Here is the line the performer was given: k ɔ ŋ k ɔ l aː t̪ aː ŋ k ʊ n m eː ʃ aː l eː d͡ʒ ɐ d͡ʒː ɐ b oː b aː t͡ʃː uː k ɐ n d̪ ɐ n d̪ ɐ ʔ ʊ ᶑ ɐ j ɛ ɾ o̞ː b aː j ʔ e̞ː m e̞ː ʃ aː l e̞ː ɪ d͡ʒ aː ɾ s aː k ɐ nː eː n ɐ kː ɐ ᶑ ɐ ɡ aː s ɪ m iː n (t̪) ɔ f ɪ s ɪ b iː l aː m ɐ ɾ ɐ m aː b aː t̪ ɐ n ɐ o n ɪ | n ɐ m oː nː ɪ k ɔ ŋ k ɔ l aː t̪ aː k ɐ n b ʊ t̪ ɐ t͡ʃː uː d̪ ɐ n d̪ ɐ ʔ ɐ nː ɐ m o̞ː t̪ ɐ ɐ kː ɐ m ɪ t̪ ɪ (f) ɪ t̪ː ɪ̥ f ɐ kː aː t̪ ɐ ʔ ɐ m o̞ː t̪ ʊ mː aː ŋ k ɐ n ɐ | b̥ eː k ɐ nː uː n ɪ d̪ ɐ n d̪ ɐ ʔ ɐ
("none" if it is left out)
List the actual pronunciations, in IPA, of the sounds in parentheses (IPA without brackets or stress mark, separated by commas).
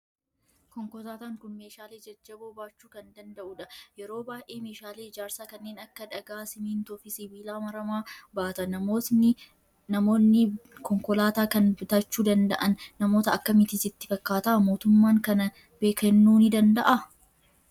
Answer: t̪, s